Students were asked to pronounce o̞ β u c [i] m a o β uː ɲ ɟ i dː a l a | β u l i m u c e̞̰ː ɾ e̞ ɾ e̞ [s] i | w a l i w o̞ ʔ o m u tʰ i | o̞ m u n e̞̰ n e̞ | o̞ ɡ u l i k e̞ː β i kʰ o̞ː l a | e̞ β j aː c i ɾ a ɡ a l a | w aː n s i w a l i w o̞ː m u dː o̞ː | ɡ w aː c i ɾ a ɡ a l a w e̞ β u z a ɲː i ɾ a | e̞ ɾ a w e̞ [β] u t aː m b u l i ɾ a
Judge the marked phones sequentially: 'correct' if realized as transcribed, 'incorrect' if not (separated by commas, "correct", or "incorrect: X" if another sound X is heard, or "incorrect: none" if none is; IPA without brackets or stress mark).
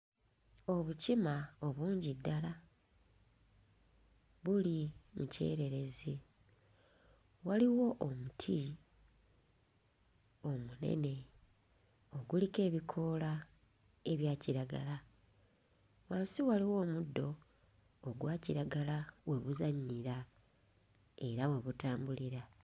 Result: correct, incorrect: z, correct